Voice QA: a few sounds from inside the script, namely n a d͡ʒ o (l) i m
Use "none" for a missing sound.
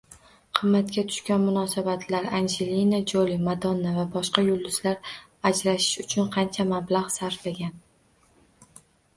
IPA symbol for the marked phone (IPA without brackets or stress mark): l